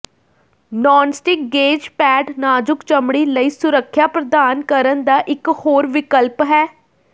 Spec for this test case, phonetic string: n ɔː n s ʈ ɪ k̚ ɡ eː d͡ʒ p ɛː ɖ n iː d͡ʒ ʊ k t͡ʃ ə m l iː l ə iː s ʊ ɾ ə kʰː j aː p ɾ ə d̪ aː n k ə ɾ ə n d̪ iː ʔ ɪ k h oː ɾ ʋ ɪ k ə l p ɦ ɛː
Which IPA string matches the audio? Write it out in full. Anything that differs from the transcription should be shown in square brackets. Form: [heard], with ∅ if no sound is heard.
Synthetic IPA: n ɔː n s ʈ ɪ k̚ ɡ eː d͡ʒ p ɛː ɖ n [aː] d͡ʒ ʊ k t͡ʃ ə m [ɽ] iː l ə iː s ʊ ɾ ə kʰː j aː p ɾ ə d̪ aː n k ə ɾ ə n d̪ [aː] ʔ ɪ k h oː ɾ ʋ ɪ k ə l p ɦ ɛː